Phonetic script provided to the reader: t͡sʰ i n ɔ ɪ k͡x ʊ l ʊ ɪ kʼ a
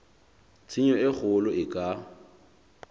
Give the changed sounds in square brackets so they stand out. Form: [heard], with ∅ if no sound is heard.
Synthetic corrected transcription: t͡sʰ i [ɲ] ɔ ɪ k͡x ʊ l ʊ ɪ kʼ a

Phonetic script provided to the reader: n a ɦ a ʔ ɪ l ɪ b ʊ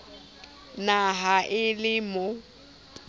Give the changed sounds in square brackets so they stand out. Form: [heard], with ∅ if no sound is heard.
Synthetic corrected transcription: n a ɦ a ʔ ɪ l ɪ [m] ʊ

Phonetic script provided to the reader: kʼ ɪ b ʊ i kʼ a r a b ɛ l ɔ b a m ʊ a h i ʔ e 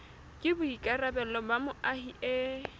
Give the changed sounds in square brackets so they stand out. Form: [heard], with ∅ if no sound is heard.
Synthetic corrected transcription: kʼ ɪ b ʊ i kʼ a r a b ɛ l ɔ b a m ʊ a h i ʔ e

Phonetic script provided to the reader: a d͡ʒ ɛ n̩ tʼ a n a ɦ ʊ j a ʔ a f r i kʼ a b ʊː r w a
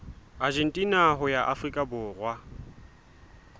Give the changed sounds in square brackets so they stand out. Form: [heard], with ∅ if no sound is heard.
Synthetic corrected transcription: a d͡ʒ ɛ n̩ tʼ [i] n a ɦ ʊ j a ʔ a f r i kʼ a b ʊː r w a

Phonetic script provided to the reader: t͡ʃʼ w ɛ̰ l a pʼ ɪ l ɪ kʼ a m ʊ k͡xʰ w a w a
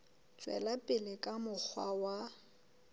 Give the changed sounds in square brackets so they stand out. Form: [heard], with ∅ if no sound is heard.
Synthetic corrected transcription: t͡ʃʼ w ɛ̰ l a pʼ ɪ l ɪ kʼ a m ʊ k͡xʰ w a w a

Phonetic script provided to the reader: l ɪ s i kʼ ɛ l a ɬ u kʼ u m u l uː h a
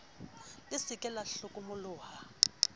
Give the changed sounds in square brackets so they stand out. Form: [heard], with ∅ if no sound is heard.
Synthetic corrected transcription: l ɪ s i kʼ ɛ l a ɬ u kʼ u m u l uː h a

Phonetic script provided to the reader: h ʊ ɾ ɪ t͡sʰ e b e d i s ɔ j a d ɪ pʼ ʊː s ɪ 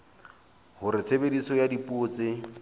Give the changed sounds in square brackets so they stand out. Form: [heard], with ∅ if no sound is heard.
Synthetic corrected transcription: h ʊ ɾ ɪ t͡sʰ e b e d i s ɔ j a d [i] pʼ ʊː [t͡s] ɪ

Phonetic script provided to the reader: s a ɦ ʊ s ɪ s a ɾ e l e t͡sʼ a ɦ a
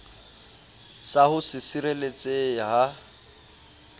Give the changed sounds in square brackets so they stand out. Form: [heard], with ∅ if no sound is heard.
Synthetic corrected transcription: s a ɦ ʊ s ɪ s [i] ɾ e l e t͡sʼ [e] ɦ a

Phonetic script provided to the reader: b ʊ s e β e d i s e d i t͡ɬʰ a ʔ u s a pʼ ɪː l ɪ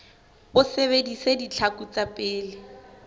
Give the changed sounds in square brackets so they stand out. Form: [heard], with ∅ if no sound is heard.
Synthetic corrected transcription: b ʊ s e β e d i s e d i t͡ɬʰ a [k] u [t͡s] a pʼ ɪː l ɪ

